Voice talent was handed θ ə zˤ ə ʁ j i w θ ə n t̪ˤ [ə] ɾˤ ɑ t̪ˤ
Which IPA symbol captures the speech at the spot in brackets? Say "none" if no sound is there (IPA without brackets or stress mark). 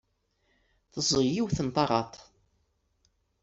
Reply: ɑ